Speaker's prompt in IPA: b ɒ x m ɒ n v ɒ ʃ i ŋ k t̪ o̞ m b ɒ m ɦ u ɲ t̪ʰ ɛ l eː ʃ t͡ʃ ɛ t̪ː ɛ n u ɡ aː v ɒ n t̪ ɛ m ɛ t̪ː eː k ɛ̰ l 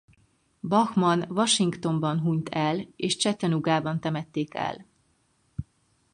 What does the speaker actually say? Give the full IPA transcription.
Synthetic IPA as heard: b ɒ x m ɒ n v ɒ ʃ i ŋ k t̪ o̞ m b ɒ n ɦ u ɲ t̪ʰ ɛ l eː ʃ t͡ʃ ɛ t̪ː ɛ n u ɡ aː b ɒ n t̪ ɛ m ɛ t̪ː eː k ɛ̰ l